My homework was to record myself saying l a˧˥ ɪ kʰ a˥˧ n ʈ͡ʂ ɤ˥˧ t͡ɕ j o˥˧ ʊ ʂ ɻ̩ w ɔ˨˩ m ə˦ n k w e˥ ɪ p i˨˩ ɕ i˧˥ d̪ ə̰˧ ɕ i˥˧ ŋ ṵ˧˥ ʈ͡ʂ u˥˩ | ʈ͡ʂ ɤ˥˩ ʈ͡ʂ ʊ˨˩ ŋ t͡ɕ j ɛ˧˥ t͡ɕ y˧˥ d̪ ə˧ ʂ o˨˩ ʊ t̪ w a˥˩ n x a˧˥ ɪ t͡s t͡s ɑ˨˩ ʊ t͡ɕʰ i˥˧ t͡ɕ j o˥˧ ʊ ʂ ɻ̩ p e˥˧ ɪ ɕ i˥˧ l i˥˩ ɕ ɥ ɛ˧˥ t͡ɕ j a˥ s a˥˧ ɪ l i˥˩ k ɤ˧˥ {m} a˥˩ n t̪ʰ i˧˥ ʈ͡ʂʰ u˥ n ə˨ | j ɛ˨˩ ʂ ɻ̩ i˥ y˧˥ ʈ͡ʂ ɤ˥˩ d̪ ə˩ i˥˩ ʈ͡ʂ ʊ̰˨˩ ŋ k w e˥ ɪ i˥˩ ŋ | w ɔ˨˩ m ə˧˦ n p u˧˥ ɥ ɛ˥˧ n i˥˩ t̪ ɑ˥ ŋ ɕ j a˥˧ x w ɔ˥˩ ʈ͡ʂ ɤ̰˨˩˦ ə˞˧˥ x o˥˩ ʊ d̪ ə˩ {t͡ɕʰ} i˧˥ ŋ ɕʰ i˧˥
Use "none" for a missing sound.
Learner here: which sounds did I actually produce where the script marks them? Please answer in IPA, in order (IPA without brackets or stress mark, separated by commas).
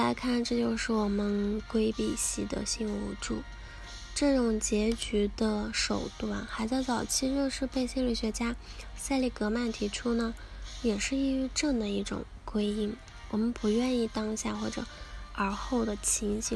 m, t͡ɕʰ